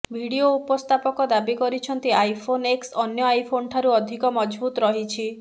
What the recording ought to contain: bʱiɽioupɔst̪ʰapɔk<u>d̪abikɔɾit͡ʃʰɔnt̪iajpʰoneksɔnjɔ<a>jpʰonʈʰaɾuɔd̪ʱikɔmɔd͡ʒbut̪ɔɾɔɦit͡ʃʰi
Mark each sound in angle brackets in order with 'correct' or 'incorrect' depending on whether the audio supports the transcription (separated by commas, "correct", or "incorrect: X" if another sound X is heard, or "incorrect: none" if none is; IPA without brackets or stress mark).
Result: incorrect: ɔ, correct